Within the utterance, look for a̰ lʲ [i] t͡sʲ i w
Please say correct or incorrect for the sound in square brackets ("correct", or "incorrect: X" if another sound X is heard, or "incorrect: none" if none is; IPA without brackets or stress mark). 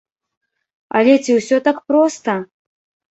incorrect: ɛ